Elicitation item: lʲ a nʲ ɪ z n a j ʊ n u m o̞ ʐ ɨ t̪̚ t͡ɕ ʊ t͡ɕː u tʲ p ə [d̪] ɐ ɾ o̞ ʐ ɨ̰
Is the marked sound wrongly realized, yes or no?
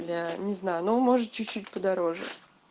no